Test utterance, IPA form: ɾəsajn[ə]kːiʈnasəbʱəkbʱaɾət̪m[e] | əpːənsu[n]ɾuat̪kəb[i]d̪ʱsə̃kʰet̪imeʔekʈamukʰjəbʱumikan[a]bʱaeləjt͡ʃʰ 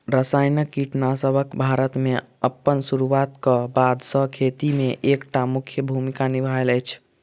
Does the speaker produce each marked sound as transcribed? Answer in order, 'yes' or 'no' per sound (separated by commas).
yes, yes, no, no, no